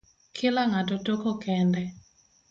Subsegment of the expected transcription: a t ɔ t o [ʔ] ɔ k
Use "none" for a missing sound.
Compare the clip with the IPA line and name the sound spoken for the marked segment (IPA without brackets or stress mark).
k